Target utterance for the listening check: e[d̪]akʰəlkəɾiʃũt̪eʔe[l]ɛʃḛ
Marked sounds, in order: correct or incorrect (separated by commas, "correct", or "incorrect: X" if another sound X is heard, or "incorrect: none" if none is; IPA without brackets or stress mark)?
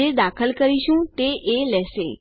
correct, correct